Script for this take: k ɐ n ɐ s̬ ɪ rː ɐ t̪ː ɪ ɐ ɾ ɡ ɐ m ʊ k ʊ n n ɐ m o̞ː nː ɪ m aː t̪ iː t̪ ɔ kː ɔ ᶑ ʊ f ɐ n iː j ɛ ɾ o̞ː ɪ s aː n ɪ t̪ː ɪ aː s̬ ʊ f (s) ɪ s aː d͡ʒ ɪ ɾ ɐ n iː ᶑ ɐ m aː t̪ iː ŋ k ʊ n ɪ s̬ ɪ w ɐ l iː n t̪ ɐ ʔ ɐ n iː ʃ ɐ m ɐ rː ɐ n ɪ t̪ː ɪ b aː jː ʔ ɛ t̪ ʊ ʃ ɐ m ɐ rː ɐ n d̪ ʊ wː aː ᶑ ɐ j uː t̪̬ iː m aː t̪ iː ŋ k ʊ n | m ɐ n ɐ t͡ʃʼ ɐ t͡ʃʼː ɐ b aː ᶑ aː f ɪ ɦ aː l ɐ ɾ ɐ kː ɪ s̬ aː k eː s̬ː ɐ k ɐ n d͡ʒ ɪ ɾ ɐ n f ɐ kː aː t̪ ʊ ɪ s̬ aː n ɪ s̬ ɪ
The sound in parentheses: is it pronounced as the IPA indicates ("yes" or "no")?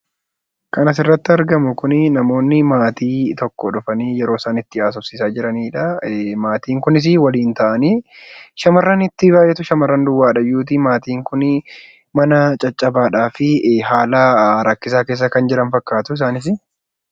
yes